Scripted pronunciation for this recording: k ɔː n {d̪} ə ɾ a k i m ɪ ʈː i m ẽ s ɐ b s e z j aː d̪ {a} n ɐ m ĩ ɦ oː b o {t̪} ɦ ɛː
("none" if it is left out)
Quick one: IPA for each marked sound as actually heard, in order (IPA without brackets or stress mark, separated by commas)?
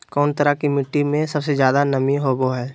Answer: t̪, a, none